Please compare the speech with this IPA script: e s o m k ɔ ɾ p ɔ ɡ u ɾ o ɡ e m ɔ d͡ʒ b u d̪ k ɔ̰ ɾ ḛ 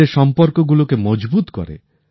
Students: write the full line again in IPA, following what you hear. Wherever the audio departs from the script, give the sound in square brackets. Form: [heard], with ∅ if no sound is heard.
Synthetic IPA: e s [ɔ] m [p] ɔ ɾ [k] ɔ ɡ u [l] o [k] e m ɔ d͡ʒ b u [t̪] k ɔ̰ ɾ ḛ